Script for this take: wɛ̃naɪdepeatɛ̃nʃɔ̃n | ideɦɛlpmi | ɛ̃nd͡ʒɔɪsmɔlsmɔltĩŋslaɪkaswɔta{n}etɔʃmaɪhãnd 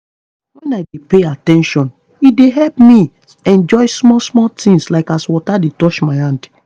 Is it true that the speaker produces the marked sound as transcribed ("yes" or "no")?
no